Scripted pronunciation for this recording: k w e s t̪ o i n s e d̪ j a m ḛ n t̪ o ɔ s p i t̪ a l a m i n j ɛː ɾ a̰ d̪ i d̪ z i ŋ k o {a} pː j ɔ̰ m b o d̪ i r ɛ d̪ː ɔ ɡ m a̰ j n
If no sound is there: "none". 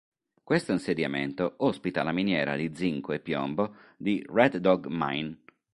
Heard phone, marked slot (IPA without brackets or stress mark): e